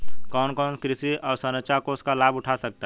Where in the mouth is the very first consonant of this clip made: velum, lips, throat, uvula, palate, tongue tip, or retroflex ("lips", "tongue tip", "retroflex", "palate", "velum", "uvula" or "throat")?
velum